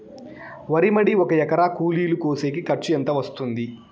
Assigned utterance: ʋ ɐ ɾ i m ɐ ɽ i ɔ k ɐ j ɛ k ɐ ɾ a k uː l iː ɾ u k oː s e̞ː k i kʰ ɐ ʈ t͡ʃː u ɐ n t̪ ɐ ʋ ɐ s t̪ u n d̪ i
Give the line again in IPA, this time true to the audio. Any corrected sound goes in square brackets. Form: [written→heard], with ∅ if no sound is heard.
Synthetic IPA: ʋ ɐ ɾ i m ɐ ɽ i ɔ k ɐ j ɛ k ɐ ɾ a k uː l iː [ɾ→l] u k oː s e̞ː k i [kʰ→k] ɐ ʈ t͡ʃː u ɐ n t̪ ɐ ʋ ɐ s t̪ u n d̪ i